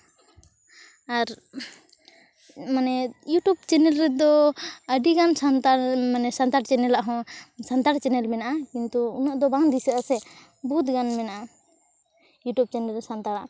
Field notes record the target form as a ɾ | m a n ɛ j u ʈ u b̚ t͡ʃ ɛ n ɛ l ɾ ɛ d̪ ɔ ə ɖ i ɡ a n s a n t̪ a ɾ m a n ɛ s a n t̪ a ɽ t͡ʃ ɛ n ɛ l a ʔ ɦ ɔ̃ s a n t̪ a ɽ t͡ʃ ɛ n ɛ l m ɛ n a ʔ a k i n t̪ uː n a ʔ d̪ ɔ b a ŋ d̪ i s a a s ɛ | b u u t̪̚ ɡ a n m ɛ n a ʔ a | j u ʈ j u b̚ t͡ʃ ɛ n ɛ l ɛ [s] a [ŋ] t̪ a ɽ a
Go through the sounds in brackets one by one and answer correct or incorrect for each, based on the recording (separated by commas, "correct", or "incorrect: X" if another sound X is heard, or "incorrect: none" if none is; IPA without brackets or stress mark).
correct, incorrect: n